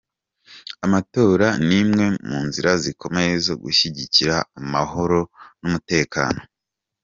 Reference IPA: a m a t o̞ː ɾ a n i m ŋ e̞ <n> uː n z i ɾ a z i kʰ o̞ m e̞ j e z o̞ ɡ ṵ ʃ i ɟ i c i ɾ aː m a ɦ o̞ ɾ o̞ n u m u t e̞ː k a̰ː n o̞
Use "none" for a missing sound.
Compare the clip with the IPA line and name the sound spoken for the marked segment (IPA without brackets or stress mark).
m